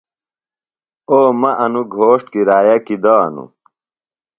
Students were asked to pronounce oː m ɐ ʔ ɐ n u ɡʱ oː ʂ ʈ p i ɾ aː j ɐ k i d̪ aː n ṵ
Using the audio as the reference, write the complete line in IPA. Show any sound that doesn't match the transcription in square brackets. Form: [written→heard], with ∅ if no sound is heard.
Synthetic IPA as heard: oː m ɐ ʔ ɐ n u ɡʱ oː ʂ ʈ [p→k] i ɾ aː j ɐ k i d̪ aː n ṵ